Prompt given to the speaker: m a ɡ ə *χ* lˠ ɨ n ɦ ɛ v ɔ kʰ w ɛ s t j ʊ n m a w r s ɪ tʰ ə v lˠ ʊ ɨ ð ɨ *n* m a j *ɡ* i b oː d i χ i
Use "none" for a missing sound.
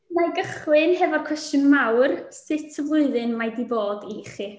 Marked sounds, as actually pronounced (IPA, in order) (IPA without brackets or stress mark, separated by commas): χ, n, d